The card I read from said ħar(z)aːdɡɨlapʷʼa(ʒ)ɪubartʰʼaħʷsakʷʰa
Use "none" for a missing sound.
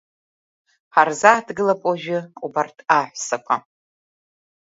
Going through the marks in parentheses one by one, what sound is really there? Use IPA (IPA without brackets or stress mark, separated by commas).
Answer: z, ʒ